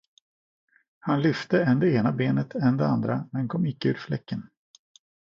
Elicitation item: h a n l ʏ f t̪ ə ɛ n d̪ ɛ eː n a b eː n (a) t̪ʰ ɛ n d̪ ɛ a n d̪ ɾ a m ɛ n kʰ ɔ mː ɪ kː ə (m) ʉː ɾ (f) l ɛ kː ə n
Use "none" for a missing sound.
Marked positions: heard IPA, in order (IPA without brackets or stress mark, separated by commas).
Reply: ə, none, f